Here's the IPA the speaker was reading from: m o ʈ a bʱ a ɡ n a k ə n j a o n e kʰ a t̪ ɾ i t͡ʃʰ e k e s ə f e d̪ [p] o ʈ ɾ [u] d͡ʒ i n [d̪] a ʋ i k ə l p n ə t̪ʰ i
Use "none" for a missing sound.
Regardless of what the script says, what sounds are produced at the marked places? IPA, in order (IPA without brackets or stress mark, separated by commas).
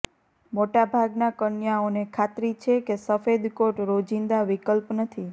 k, o, d̪